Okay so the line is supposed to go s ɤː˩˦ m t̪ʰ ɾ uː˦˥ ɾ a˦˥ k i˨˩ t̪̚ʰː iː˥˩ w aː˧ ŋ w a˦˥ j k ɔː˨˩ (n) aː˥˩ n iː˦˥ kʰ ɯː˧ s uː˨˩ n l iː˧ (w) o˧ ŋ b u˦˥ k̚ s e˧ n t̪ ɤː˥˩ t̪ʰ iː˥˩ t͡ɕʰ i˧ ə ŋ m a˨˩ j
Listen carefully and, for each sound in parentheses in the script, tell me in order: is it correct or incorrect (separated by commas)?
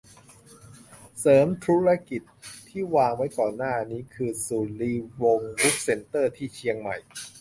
incorrect, correct